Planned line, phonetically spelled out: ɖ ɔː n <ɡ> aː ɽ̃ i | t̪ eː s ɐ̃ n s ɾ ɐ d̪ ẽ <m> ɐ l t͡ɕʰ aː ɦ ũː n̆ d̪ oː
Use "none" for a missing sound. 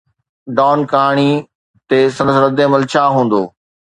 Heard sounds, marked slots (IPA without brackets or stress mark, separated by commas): k, m